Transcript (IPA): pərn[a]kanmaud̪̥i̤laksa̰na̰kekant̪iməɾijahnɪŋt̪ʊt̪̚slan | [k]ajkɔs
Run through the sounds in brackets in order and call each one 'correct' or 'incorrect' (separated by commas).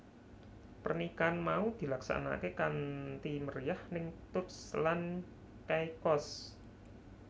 incorrect, correct